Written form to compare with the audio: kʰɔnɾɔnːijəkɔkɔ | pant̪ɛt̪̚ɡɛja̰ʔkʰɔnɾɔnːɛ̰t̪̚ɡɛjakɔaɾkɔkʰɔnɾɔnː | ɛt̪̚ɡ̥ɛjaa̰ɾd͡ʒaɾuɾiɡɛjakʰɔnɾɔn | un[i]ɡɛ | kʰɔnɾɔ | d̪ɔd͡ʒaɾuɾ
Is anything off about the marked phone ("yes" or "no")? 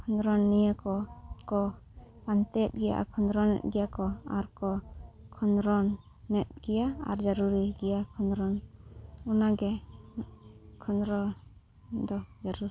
yes